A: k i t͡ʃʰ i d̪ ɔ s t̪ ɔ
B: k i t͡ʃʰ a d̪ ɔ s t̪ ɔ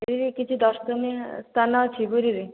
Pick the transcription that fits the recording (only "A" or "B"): A